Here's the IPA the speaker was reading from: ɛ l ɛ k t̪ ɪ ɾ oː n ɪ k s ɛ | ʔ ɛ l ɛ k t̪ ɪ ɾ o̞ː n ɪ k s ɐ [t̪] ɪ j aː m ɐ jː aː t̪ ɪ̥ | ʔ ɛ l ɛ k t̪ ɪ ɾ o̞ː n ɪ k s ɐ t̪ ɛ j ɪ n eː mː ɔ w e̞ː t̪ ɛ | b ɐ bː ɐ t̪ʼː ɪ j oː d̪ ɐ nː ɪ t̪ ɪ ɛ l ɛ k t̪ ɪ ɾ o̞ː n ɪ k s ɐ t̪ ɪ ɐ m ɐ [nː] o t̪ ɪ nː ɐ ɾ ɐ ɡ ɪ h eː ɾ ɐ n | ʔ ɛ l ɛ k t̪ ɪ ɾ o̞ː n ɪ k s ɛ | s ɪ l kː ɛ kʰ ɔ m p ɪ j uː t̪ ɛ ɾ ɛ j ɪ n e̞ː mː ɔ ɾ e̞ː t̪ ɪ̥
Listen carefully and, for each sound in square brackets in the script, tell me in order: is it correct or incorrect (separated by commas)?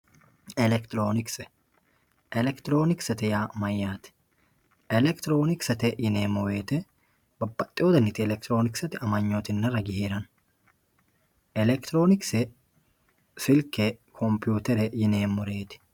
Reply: correct, incorrect